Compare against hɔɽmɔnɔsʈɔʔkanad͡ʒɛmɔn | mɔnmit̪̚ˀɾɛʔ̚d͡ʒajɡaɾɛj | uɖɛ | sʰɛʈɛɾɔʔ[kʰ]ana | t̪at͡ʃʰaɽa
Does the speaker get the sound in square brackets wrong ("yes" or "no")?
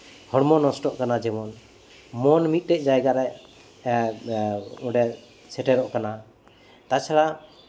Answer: yes